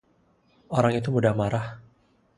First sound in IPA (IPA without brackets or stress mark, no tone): o